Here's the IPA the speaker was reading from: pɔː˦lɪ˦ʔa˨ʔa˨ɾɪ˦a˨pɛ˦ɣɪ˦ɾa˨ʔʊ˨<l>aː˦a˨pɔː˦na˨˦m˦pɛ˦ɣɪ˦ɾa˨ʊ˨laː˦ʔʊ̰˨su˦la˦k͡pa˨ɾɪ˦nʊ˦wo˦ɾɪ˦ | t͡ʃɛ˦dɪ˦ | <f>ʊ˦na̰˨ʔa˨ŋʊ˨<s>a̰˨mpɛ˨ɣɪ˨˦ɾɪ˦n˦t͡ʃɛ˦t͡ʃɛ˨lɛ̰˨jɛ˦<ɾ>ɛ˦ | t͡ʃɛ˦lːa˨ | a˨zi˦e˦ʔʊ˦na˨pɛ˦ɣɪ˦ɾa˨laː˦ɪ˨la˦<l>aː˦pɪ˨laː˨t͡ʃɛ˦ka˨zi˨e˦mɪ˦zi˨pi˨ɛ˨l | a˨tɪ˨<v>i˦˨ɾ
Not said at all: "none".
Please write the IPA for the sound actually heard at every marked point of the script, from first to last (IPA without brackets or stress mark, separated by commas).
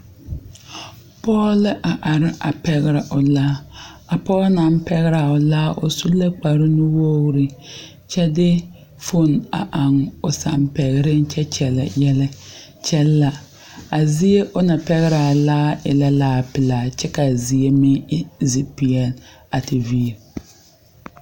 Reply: l, f, s, l, l, v